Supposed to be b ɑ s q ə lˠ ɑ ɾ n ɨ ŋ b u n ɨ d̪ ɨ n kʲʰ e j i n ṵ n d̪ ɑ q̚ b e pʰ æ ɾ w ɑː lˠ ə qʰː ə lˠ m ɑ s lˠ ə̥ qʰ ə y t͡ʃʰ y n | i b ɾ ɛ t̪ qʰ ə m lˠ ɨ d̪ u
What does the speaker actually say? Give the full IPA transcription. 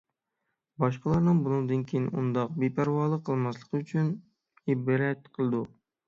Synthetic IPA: b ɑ ʃ q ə lˠ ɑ ɾ n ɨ ŋ b u n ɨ d̪ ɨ n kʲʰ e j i n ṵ n d̪ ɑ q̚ b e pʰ æ ɾ w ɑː lˠ ə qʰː ə lˠ m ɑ s lˠ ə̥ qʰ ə y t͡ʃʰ y n | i b ɾ ɛ t̪ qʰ ə lˠ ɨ d̪ u